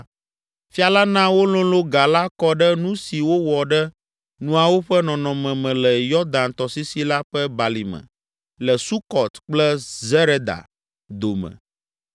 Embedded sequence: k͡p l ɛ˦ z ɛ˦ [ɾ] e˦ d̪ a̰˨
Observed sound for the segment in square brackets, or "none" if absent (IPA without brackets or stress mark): ɾ